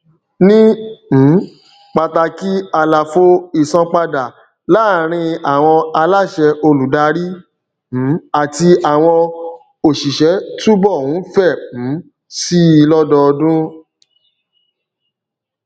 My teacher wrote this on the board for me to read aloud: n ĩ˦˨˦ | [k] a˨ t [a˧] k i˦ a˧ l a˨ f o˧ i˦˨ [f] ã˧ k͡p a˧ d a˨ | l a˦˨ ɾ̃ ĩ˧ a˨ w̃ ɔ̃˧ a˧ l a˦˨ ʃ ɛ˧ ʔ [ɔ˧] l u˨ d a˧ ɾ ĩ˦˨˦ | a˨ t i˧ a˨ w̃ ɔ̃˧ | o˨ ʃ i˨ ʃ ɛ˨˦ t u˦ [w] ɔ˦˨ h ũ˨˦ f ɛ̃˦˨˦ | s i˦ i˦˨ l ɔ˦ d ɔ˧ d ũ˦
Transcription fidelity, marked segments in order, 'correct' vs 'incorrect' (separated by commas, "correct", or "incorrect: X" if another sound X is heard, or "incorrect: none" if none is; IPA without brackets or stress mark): incorrect: k͡p, correct, incorrect: s, incorrect: o˧, incorrect: b